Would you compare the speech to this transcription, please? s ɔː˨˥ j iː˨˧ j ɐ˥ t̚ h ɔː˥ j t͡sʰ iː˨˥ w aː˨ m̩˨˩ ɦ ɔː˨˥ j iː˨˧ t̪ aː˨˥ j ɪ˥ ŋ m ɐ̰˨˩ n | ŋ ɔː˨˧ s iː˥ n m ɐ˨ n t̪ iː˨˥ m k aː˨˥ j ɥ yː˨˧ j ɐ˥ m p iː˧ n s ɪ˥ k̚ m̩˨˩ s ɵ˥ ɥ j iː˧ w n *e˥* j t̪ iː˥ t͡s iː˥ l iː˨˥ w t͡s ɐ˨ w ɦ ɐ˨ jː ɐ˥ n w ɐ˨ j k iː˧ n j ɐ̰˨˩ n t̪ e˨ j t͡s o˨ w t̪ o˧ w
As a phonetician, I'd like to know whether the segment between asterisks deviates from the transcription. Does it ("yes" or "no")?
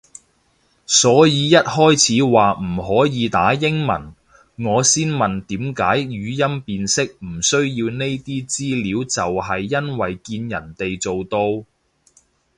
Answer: no